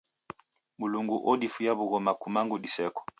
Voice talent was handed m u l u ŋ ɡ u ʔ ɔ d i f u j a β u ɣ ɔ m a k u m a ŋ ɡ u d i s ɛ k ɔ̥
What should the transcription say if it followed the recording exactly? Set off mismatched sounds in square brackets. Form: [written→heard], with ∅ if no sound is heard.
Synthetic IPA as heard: m u l u ŋ ɡ u ʔ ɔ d i f u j a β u ɣ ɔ m a k u m a ŋ ɡ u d i s ɛ k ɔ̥